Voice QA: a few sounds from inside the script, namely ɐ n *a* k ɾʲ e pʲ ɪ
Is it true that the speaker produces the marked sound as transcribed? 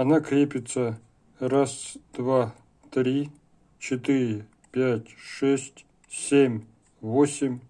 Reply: yes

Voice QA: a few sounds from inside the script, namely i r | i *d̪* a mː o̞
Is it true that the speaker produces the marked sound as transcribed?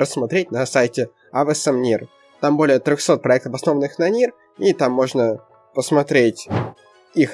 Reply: no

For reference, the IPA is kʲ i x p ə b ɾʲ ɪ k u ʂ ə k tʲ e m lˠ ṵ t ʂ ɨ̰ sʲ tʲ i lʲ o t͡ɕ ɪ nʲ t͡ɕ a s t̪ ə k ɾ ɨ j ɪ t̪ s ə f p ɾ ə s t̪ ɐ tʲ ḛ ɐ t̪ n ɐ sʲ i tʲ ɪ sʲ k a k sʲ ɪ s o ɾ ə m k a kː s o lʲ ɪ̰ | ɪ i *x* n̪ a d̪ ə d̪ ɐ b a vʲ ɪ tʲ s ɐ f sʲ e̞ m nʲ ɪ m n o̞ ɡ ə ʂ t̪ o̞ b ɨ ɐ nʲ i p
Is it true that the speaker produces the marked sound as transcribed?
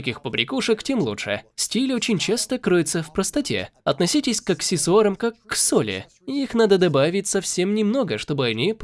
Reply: yes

